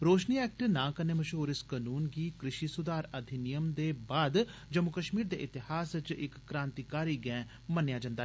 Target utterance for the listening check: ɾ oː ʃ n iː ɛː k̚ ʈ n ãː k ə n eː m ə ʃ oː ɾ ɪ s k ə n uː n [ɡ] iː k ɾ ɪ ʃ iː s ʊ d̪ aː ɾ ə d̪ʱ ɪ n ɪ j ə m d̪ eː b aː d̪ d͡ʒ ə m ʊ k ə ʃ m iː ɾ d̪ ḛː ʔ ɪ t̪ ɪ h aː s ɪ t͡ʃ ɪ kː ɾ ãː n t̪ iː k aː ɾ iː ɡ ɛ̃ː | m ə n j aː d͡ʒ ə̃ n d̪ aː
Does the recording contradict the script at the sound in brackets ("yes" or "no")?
no